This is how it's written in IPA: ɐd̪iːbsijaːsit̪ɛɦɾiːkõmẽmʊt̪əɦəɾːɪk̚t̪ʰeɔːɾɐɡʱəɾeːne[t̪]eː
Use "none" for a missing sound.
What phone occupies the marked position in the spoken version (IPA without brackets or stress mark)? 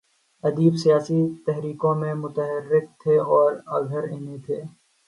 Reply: t̪ʰ